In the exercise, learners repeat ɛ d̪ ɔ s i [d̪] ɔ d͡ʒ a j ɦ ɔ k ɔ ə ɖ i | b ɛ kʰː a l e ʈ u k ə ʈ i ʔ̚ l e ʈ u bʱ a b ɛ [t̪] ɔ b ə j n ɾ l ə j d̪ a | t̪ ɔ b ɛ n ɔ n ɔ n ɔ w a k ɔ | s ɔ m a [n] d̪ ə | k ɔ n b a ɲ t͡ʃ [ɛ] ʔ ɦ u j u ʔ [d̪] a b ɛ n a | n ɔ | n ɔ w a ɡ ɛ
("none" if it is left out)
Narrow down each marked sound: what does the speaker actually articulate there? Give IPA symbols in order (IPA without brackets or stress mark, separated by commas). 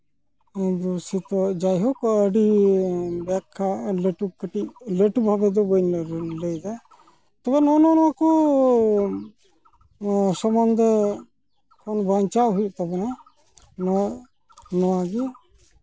t̪, d̪, n, a, t̪